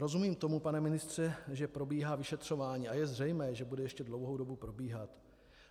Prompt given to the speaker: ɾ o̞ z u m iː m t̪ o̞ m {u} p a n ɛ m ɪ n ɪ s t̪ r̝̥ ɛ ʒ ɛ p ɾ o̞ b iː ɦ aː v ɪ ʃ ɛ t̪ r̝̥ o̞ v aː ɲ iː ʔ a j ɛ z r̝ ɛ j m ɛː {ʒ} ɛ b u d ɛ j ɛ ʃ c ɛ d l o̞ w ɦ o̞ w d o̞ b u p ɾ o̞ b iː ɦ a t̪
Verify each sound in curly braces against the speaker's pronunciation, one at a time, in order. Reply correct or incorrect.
correct, correct

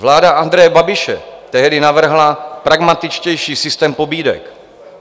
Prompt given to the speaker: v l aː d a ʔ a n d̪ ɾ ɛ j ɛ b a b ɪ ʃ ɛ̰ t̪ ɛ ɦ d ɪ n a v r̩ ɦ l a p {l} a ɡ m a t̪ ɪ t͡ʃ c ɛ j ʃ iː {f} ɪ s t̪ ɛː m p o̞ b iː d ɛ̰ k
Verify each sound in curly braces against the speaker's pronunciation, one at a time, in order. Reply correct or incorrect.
incorrect: ɾ, incorrect: s

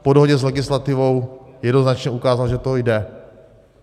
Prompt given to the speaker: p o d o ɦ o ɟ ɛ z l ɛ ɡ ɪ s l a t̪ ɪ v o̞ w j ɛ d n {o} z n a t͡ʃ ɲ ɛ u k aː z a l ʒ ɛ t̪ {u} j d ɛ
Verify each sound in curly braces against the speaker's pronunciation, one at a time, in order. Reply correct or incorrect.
correct, incorrect: o

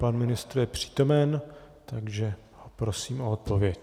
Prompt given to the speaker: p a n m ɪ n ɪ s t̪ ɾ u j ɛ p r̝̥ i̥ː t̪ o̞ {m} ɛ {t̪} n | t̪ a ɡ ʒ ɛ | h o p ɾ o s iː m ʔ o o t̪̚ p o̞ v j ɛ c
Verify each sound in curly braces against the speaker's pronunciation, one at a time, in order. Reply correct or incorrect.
correct, incorrect: none

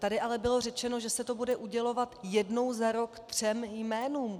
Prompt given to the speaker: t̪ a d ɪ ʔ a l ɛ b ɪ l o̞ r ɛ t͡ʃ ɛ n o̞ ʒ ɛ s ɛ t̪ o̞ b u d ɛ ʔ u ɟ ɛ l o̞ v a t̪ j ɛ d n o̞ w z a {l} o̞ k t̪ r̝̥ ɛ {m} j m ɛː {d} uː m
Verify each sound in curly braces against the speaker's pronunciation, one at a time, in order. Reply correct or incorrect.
incorrect: ɾ, correct, incorrect: n

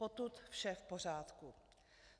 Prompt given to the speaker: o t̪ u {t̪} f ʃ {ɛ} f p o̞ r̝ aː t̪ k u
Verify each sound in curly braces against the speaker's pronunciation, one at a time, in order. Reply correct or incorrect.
correct, correct

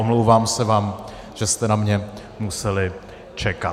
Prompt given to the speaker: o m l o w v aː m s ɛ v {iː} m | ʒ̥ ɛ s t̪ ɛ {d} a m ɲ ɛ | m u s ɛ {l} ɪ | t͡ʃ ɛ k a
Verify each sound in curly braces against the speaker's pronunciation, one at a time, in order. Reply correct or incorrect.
incorrect: aː, incorrect: n, correct

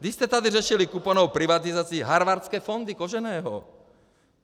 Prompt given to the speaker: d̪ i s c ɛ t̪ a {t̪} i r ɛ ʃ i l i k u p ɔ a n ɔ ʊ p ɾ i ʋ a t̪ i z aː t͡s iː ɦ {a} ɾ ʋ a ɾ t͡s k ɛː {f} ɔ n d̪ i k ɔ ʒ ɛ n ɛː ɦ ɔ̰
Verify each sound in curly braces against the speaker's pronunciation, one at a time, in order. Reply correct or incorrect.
incorrect: d̪, correct, correct

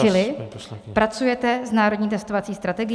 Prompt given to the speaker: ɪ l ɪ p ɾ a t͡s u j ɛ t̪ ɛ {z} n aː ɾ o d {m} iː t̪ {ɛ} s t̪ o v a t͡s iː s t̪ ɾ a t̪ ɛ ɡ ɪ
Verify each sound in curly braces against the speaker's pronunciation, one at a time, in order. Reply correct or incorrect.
correct, incorrect: ɲ, correct

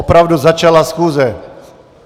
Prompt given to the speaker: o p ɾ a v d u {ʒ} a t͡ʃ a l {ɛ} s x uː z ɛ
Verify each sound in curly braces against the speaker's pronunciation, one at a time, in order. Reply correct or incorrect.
incorrect: z, incorrect: a

